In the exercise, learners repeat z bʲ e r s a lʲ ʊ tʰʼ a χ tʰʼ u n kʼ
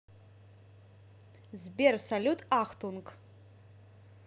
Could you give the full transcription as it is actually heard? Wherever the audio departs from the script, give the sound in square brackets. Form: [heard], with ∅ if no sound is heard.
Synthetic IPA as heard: z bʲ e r s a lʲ [u] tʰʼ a χ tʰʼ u n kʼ